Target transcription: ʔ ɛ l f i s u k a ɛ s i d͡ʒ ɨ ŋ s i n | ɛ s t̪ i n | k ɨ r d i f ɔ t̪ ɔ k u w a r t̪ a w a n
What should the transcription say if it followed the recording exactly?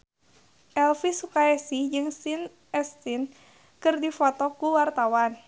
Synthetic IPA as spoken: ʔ ɛ l f i s u k a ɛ s i d͡ʒ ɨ ŋ s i n | ɛ s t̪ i n | k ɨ r d i f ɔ t̪ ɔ k u w a r t̪ a w a n